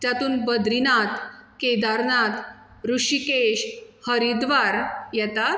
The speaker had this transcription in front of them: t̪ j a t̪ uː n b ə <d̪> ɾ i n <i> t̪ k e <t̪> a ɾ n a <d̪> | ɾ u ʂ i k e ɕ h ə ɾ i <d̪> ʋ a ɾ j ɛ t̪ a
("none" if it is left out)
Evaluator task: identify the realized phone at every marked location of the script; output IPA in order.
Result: d̪, a, d̪, t̪, d̪

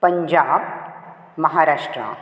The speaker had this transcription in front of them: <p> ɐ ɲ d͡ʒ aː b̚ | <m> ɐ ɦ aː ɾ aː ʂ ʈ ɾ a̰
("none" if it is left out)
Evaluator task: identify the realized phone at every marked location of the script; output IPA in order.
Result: p, m

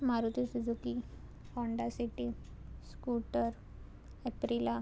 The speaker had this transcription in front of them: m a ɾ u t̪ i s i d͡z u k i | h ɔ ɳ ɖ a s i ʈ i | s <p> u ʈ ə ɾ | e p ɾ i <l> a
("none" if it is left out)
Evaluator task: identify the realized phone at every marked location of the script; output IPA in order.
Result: k, l

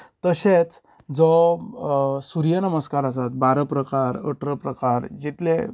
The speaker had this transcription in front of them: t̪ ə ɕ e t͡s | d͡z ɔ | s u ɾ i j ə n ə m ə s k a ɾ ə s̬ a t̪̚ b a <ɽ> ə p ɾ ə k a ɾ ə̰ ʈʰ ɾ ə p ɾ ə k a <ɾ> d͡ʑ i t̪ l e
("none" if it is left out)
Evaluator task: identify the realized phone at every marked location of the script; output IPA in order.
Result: ɾ, ɾ

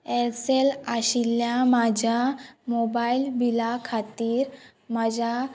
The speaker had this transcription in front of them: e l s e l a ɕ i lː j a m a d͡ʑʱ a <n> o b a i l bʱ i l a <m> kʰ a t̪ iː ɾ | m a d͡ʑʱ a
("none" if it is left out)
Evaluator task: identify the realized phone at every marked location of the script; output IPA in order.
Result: m, none

